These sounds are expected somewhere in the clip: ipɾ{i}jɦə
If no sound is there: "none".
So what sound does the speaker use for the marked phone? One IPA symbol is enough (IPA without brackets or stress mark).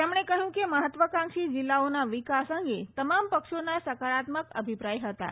a